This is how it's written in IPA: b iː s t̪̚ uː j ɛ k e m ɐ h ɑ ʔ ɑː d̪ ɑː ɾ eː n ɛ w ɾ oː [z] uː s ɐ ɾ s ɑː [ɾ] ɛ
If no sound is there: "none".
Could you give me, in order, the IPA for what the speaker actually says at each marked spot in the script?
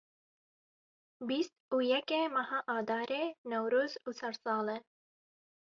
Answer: z, l

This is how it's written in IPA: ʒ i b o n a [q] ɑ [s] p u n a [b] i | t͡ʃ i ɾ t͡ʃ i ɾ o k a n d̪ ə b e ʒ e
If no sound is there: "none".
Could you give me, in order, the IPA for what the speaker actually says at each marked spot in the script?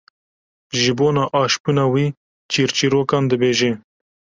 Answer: ʔ, ʃ, w

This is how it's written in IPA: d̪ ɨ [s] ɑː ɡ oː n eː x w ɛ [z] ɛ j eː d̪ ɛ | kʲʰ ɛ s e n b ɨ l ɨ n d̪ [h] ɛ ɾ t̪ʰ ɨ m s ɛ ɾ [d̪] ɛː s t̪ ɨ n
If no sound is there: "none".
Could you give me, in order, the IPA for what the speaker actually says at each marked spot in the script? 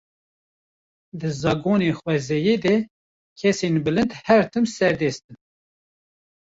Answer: z, z, h, d̪

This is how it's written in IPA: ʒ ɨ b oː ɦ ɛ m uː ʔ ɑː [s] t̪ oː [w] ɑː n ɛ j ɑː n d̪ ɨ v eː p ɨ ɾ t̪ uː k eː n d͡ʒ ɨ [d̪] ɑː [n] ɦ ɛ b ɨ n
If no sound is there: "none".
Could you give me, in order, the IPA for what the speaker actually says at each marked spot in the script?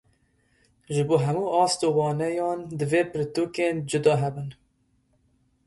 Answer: s, w, d̪, none

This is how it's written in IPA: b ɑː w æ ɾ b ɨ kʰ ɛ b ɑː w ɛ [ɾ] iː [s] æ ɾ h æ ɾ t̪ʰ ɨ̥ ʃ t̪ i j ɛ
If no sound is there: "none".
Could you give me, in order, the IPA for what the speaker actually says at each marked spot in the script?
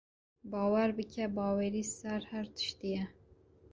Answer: ɾ, s

